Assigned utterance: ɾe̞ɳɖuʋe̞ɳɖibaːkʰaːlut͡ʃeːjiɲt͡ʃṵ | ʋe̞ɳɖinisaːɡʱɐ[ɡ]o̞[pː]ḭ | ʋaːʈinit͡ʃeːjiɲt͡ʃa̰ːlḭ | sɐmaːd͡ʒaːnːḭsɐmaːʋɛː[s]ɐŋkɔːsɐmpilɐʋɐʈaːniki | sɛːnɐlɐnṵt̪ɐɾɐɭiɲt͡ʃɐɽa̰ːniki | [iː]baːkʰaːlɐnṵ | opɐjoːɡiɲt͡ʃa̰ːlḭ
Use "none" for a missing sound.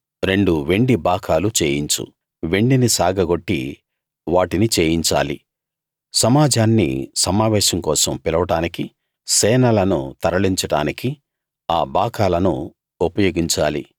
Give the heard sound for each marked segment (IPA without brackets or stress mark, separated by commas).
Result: ɡ, ʈː, ʃ, aː